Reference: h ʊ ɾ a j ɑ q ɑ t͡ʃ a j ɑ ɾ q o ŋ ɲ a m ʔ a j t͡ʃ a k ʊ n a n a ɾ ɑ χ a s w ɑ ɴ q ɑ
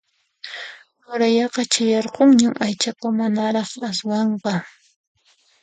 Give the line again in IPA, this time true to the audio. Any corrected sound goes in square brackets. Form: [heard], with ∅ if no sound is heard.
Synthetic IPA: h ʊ ɾ a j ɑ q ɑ t͡ʃ a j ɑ ɾ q o ŋ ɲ a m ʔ a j t͡ʃ a k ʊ [m] a n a ɾ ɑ χ a s w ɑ ɴ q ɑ